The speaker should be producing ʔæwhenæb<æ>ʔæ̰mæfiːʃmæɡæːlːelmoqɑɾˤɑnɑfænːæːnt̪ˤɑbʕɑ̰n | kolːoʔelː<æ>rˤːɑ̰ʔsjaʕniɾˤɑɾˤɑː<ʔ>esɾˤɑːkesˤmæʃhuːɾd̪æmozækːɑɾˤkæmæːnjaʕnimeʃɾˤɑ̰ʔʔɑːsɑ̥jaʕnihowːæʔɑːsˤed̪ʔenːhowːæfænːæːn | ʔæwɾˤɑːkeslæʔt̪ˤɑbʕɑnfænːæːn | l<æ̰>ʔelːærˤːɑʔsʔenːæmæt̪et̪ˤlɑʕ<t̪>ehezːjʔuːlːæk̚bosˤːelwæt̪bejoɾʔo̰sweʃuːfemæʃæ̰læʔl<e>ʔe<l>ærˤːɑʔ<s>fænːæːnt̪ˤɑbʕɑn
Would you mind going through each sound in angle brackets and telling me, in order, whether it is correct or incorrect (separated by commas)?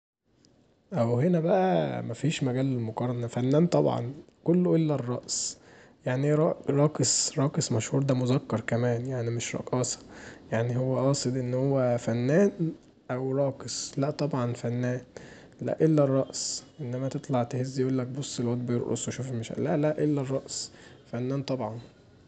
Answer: correct, correct, incorrect, correct, correct, incorrect, incorrect, correct